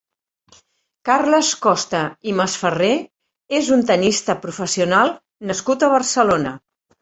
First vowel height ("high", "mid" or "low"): low